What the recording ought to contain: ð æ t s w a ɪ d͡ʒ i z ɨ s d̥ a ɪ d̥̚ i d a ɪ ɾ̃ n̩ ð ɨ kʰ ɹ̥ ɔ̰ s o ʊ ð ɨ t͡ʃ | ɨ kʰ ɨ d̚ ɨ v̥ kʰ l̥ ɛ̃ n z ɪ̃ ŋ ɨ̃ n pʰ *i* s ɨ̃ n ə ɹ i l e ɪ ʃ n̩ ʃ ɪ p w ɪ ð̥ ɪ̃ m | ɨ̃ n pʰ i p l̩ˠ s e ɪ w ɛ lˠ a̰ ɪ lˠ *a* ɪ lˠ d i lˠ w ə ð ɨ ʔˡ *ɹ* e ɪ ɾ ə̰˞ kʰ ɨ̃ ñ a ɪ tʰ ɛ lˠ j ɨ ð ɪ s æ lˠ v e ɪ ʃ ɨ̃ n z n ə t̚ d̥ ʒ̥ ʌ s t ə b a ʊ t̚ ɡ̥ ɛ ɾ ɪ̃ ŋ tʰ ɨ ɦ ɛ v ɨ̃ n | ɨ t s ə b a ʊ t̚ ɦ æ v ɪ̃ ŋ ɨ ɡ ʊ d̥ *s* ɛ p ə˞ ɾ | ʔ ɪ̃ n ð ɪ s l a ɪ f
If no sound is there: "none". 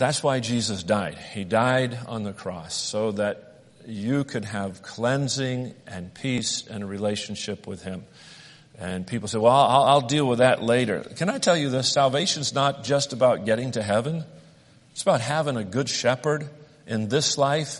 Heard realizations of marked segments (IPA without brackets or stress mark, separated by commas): i, a, l, ʃ